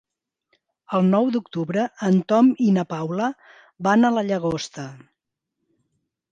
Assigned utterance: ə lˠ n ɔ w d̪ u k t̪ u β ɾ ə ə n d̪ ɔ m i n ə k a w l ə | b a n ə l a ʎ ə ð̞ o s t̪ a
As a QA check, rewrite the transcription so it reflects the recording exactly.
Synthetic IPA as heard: ə lˠ n ɔ w d̪ u k t̪ u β ɾ ə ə n t̪ ɔ m i n ə p a w l ə | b a n ə l ə ʎ ə ɣ̞ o s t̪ ə